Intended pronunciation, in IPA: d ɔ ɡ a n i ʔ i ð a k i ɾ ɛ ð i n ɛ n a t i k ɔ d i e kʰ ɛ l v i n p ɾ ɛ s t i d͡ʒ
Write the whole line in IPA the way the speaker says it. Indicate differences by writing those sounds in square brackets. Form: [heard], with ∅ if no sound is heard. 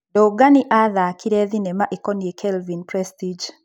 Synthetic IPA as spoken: d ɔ ɡ a n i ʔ [a] ð a k i ɾ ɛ ð i n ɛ [m] a [ʔ] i k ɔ [n] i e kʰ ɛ l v i n p ɾ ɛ s t i d͡ʒ